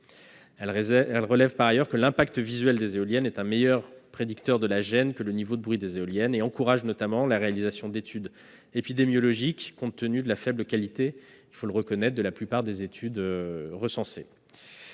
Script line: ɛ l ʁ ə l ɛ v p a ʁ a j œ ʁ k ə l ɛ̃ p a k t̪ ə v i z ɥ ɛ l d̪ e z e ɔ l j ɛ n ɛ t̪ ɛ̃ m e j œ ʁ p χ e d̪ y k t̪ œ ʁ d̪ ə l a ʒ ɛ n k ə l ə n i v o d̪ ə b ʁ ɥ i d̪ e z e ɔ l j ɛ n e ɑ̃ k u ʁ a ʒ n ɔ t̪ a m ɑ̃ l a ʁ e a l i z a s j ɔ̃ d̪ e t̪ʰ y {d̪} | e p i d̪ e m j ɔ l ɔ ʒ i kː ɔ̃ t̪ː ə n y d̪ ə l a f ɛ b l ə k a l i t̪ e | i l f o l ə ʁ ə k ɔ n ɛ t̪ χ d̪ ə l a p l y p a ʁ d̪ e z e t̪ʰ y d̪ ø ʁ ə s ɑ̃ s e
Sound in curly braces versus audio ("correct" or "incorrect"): correct